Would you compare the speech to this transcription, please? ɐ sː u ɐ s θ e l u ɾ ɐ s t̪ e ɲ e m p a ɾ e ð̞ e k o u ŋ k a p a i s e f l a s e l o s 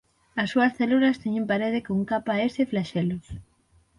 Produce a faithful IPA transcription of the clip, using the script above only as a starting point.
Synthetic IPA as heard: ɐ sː u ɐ s θ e l u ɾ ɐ s t̪ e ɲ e m p a ɾ e ð̞ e k o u ŋ k a p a e s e f l a ʃ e l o s